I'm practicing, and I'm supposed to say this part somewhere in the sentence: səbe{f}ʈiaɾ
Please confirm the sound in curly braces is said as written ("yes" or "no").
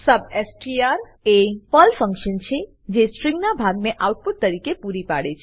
no